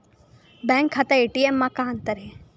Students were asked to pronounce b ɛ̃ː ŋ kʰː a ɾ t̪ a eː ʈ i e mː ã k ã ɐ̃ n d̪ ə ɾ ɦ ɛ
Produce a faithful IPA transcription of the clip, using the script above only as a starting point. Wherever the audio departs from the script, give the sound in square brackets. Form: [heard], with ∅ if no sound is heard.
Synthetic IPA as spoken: b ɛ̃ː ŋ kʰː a [∅] t̪ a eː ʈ i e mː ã k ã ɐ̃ n [t̪] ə ɾ ɦ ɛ